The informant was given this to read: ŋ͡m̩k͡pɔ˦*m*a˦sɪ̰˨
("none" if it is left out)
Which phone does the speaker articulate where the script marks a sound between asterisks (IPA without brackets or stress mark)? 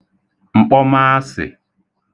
m